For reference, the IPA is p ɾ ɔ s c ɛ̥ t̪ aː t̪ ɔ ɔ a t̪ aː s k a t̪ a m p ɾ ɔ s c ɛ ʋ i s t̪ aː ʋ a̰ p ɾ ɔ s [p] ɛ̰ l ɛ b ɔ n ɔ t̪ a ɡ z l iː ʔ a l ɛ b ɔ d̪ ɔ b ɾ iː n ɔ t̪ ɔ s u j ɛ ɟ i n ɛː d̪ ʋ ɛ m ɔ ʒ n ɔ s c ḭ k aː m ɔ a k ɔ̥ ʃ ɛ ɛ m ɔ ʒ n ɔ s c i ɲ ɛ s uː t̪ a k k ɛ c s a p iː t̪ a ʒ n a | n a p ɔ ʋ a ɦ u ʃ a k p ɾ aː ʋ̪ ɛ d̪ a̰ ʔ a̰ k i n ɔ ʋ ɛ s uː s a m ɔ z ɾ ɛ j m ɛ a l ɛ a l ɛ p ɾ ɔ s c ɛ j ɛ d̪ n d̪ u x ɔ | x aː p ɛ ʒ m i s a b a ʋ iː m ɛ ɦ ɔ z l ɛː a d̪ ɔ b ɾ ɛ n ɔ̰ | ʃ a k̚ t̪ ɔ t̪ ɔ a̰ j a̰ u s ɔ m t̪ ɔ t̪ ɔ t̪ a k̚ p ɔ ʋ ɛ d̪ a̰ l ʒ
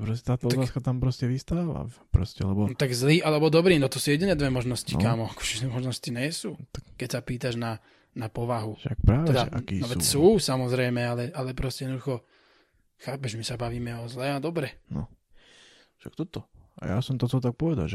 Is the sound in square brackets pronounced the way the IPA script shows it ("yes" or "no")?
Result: no